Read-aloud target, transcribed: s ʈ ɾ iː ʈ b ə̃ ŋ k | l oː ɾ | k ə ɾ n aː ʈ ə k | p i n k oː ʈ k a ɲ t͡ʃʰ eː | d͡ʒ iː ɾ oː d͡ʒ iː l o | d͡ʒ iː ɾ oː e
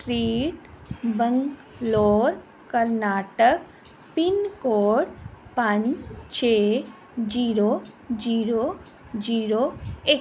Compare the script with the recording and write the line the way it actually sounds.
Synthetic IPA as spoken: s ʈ ɾ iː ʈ b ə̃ ŋ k | l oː ɾ | k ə ɾ n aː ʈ ə k | p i n k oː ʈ p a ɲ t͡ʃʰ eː | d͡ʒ iː ɾ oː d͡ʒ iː ɾ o | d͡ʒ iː ɾ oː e

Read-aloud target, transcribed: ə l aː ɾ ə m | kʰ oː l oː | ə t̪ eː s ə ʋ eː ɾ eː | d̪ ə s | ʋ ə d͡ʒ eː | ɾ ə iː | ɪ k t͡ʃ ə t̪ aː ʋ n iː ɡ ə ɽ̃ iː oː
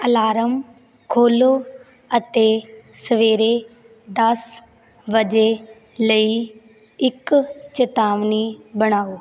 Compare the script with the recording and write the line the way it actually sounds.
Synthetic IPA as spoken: ə l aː ɾ ə m | kʰ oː l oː | ə t̪ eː s ə ʋ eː ɾ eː | d̪ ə s | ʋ ə d͡ʒ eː | l ə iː | ɪ k t͡ʃ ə t̪ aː ʋ n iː b ə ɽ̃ aː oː

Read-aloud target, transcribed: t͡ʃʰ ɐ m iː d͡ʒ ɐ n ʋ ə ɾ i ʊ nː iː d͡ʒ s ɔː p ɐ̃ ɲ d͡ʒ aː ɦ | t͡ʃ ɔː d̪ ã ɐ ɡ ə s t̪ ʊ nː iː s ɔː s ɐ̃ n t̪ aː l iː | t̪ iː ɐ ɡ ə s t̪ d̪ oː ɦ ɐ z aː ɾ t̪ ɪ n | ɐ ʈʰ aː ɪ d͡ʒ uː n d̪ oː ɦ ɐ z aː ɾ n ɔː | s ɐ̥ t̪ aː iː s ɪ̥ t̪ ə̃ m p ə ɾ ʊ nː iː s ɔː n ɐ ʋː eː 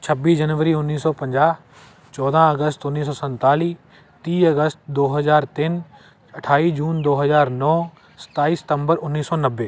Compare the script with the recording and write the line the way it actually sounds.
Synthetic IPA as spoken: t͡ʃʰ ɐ b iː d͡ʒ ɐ n ʋ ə ɾ i ʊ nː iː s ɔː p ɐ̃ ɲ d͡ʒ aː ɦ | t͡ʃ ɔː d̪ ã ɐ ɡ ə s t̪ ʊ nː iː s ɔː s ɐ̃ n t̪ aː l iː | t̪ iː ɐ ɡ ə s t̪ d̪ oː ɦ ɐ z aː ɾ t̪ ɪ n | ɐ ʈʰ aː i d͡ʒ uː n d̪ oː ɦ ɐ z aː ɾ n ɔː | s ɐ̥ t̪ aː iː s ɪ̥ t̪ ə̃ m b ə ɾ ʊ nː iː s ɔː n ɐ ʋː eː

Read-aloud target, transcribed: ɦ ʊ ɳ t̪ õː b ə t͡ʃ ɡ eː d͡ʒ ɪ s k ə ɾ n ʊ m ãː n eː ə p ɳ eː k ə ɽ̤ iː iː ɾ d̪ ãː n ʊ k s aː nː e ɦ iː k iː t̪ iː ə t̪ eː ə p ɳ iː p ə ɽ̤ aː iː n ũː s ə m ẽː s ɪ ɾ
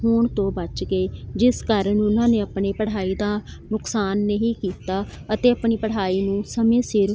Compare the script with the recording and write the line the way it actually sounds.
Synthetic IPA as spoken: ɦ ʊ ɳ t̪ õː b ə t͡ʃ ɡ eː d͡ʒ ɪ s k ə ɾ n ʊ n ãː n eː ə p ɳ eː p ə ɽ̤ aː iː d̪ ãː n ʊ k s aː nː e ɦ iː k iː t̪ aː ə t̪ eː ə p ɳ iː p ə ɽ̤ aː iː n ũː s ə m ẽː s ɪ ɾ

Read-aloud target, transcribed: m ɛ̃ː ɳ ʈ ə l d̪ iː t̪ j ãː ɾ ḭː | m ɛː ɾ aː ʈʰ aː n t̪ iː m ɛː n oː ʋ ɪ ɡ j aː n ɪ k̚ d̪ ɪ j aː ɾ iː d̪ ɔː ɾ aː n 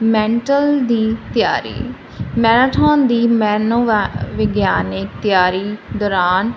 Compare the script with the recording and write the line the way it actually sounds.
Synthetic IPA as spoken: m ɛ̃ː ɳ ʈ ə l d̪ iː t̪ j aː ɾ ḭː | m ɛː ɾ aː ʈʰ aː n d̪ iː m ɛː n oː ʋ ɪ ɡ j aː n ɪ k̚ t̪ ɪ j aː ɾ iː d̪ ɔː ɾ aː n

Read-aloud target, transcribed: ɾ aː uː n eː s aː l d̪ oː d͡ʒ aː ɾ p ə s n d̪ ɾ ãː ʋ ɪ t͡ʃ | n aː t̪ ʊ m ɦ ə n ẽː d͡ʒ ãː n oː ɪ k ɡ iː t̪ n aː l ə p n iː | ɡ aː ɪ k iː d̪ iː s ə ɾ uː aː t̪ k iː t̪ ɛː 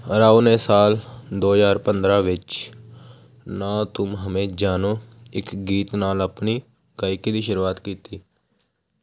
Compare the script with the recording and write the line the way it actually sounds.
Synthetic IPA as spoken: ɾ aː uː n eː s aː l d̪ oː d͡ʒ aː ɾ p ə n d̪ ɾ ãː ʋ ɪ t͡ʃ | n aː t̪ ʊ m ɦ ə m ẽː d͡ʒ aː n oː ɪ k ɡ iː t̪ n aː l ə p n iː | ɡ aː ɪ k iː d̪ iː ʃ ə ɾ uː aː t̪ k iː t̪ iː

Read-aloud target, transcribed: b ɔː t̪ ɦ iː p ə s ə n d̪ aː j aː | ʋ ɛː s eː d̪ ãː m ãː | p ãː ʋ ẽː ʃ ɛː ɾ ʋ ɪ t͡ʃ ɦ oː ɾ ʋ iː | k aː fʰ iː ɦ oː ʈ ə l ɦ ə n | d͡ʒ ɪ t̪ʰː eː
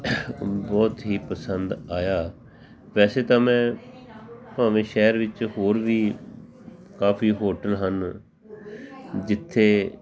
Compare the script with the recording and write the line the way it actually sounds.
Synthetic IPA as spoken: b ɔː t̪ ɦ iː p ə s ə n d̪ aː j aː | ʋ ɛː s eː t̪ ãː m ɛ̃ː | p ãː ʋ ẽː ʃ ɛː ɾ ʋ ɪ t͡ʃ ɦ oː ɾ ʋ iː | k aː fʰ iː ɦ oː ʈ ə l ɦ ə n | d͡ʒ ɪ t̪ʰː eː

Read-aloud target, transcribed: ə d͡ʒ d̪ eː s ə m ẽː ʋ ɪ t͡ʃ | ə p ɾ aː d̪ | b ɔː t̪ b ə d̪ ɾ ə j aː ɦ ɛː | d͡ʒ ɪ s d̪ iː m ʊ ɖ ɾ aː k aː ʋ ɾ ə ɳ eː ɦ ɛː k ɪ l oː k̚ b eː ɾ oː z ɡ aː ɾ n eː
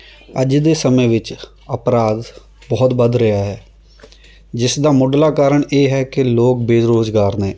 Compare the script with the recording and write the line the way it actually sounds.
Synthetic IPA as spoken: ə d͡ʒ d̪ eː s ə m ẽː ʋ ɪ t͡ʃ | ə p ɾ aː d̪ | b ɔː t̪ b ə d̪ ɾ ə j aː ɦ ɛː | d͡ʒ ɪ s d̪ aː m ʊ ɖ l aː k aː ɾ ə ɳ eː ɦ ɛː k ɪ l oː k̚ b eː ɾ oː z ɡ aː ɾ n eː

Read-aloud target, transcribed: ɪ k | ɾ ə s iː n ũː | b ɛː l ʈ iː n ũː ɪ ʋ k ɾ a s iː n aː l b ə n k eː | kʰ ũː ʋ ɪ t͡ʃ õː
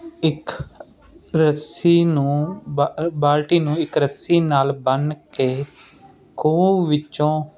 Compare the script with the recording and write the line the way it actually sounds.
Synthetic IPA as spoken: ɪ k | ɾ ə s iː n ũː | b aː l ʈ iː n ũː ɪ k ɾ ə s iː n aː l b ə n k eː | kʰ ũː ʋ ɪ t͡ʃ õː

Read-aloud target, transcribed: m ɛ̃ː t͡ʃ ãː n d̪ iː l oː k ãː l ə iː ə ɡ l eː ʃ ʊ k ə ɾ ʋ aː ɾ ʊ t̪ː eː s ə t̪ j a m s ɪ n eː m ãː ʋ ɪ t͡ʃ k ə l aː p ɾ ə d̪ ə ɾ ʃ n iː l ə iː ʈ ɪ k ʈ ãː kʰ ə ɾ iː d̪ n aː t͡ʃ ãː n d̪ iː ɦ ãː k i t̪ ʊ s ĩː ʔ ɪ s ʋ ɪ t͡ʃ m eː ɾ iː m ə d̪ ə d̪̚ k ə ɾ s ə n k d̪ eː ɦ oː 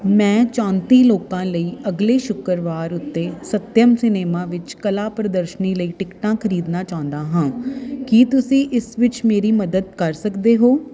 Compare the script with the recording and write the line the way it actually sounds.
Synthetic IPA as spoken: m ɛ̃ː t͡ʃ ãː n t̪ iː l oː k ãː l ə iː ə ɡ l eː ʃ ʊ k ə ɾ ʋ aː ɾ ʊ t̪ː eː s ə t̪ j ə m s ɪ n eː m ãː ʋ ɪ t͡ʃ k ə l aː p ɾ ə d̪ ə ɾ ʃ n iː l ə iː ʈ ɪ k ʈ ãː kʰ ə ɾ iː d̪ n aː t͡ʃ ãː n d̪ aː ɦ ãː k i t̪ ʊ s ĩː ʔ ɪ s ʋ ɪ t͡ʃ m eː ɾ iː m ə d̪ ə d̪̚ k ə ɾ s ə k d̪ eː ɦ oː

